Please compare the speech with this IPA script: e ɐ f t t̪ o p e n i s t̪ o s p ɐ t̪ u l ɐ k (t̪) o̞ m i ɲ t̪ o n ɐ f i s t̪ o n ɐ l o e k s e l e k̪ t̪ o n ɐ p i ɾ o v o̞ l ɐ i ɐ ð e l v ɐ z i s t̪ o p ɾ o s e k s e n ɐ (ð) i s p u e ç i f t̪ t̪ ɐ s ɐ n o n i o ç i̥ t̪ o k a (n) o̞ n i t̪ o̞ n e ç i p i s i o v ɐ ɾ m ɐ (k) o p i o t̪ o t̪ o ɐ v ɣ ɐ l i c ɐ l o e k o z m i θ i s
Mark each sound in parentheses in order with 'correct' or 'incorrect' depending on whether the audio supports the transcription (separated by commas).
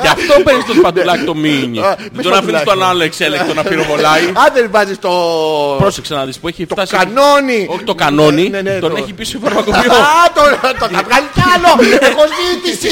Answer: correct, correct, correct, correct